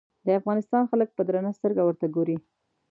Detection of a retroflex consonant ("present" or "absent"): absent